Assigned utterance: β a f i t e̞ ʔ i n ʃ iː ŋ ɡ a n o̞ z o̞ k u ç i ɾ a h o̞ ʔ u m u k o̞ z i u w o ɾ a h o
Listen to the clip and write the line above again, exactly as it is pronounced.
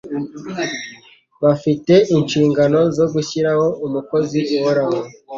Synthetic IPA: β a f i t e̞ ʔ i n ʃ iː ŋ ɡ a n o̞ z o̞ ɡ u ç i ɾ a h o̞ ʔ u m u k o̞ z i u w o ɾ a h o